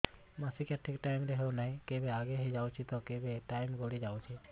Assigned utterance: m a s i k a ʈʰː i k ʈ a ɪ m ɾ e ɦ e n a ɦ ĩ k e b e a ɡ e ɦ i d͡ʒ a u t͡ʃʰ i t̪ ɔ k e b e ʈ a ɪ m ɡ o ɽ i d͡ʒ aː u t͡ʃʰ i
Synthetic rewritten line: m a s i k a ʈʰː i k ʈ a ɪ m ɾ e ɦ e n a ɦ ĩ k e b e a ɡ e ɦ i d͡ʒ a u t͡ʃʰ i t̪ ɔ k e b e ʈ a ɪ m ɡ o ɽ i d͡ʒ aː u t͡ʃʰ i